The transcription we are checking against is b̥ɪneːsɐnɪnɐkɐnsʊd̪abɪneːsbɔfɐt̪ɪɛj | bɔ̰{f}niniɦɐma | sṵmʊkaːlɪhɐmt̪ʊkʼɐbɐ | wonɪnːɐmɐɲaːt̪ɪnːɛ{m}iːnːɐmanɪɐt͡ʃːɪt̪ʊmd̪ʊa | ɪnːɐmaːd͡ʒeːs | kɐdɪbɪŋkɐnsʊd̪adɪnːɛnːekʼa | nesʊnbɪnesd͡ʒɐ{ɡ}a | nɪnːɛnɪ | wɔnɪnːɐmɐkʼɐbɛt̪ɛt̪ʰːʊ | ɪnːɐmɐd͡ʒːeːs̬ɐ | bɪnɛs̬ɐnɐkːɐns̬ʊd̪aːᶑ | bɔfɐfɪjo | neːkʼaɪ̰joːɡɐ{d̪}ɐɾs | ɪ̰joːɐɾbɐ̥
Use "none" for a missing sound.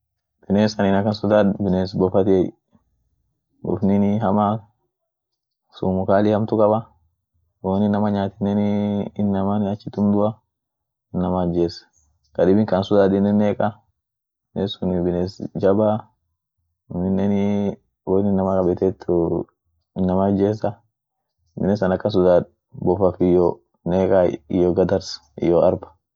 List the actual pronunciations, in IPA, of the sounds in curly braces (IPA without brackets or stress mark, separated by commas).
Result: f, n, b, d̪